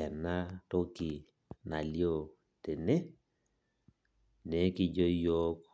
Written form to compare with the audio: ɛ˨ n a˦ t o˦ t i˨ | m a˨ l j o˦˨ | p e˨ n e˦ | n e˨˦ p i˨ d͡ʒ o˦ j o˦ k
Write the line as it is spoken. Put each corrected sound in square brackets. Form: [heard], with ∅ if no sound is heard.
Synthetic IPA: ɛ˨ n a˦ t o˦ [k] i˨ | [n] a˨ l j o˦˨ | [t] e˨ n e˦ | n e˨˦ [k] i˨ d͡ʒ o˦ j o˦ k